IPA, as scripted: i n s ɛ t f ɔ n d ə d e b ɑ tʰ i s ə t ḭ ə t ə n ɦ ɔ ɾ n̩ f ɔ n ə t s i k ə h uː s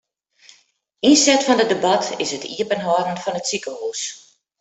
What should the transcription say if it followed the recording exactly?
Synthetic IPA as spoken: i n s ɛ t f ɔ n d ə d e b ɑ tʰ ɪ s ə t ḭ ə p ə n ɦ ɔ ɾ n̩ f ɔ n ə t s i k ə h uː s